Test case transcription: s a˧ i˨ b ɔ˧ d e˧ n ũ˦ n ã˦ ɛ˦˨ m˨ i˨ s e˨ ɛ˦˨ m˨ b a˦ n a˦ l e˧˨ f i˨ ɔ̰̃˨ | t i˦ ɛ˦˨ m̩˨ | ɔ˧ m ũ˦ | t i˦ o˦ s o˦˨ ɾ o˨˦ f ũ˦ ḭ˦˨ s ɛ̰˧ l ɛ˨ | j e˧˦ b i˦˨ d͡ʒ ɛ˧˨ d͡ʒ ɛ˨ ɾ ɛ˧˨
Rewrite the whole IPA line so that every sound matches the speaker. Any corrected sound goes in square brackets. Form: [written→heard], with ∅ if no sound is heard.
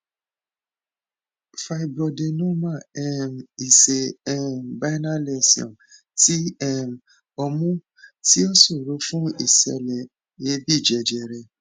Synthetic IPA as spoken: [s→f] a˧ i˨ b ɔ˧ d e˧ n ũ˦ [n→m] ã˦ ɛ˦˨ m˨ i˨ s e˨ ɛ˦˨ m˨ b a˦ n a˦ l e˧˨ [f→s] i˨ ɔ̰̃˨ | t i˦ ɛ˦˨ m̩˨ | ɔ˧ m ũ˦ | t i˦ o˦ s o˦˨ ɾ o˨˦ f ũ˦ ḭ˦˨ s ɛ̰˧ l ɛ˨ | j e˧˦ b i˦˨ d͡ʒ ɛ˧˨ d͡ʒ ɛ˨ ɾ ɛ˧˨